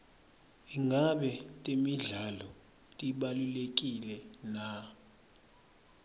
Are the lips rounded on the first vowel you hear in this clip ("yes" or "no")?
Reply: no